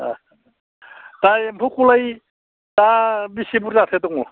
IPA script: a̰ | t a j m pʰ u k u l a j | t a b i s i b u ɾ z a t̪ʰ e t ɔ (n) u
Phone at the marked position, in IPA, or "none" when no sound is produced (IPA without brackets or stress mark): ŋ